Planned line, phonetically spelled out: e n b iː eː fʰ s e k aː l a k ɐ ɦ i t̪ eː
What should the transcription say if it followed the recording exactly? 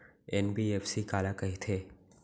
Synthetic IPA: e n b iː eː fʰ s i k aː l a k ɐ ɦ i t̪ʰ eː